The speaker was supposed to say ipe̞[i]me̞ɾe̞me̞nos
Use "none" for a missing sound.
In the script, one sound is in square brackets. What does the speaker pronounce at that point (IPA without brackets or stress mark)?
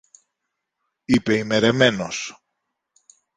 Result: i